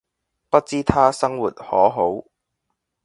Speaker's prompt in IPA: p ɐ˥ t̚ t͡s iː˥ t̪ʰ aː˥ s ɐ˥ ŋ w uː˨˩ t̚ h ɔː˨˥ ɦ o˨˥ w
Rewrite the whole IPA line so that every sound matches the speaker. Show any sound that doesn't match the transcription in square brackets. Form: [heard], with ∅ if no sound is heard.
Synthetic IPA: p ɐ˥ t̚ t͡s iː˥ t̪ʰ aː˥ s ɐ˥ ŋ w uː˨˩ t̚ h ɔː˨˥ ɦ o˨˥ w